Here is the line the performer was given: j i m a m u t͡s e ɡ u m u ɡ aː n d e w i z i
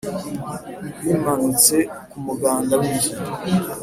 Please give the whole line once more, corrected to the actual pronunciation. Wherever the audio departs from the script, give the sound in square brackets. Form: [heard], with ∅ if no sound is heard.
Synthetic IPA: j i m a [n] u t͡s e [k] u m u ɡ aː n d [a] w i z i